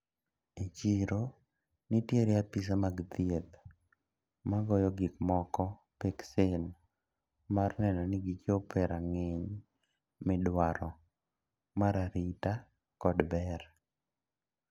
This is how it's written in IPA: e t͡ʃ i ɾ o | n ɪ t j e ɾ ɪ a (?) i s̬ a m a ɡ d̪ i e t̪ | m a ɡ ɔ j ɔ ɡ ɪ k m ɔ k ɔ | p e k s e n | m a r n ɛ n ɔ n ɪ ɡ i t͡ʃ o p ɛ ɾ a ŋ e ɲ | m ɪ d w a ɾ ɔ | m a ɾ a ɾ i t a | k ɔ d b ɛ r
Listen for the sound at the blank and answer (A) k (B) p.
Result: B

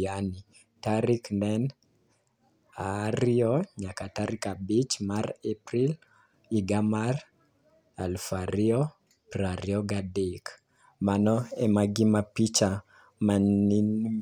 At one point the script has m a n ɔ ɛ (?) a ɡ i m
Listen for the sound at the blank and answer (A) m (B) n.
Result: A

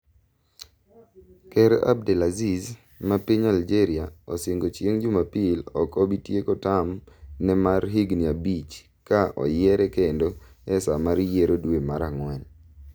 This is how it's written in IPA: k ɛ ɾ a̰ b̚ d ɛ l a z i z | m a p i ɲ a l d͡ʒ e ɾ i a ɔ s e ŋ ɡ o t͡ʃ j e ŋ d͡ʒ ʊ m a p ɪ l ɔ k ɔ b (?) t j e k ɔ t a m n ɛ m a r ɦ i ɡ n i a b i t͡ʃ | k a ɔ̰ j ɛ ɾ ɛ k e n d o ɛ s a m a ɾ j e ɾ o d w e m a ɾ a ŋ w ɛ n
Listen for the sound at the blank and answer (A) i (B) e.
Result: A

